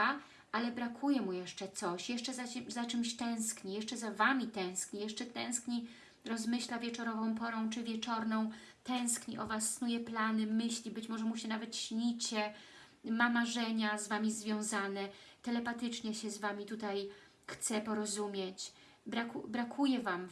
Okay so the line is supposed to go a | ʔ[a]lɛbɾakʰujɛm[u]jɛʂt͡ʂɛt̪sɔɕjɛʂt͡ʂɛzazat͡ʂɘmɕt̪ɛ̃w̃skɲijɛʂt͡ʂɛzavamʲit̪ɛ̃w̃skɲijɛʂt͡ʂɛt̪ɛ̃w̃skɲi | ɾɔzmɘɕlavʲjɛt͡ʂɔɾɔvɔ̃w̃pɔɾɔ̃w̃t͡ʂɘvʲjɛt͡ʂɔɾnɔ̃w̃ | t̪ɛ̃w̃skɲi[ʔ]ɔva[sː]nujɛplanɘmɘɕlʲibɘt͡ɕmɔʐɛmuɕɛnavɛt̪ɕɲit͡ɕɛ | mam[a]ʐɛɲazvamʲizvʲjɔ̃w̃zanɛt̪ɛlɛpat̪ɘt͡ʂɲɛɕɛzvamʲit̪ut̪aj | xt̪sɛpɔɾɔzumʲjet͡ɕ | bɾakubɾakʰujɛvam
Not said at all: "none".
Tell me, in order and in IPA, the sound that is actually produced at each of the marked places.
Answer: a, u, ʔ, sː, a

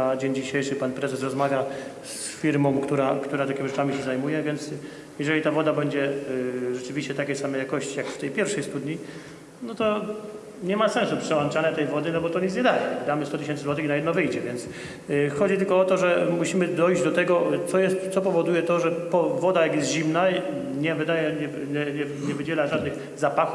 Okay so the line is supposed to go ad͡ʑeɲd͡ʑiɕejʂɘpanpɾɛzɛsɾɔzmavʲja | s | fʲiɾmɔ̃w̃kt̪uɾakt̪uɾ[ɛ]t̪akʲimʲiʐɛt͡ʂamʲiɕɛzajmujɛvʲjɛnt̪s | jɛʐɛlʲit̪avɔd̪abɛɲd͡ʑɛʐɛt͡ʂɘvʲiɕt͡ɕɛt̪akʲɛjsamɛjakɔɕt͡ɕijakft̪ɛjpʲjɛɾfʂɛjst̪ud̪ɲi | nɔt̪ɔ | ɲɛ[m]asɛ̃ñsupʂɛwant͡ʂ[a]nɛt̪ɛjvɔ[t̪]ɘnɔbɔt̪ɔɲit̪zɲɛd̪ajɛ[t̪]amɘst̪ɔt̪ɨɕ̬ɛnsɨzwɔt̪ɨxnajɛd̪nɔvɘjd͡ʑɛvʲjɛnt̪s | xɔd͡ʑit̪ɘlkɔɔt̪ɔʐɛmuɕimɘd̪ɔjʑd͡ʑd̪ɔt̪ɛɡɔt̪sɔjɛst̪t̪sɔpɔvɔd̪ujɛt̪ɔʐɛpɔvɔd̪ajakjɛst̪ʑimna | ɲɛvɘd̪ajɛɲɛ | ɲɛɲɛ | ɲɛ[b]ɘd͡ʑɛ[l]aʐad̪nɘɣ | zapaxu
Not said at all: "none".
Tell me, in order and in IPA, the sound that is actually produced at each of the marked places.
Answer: a, m, a, d̪, d̪, v, l

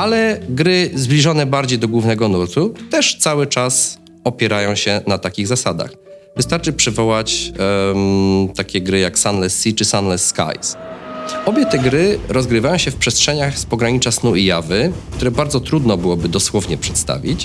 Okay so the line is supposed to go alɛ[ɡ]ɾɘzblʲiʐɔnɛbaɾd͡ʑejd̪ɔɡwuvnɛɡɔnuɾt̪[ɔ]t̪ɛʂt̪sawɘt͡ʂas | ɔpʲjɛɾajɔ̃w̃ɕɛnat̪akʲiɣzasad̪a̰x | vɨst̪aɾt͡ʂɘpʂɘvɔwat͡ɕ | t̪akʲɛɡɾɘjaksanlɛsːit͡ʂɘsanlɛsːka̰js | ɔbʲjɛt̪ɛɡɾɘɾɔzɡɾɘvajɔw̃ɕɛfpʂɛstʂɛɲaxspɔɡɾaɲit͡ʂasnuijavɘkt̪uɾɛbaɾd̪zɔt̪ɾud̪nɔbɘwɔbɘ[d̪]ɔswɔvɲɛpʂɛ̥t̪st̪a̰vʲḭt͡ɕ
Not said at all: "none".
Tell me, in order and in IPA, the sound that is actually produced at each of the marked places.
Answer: ɡ, u, d̪

